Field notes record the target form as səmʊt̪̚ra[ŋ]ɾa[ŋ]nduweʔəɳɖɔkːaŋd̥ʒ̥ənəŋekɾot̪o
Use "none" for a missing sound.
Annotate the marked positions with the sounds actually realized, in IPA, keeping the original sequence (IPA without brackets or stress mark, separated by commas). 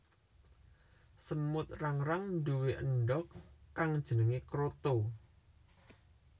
ŋ, ŋ